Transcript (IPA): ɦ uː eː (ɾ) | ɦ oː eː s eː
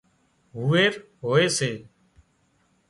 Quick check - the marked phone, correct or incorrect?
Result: correct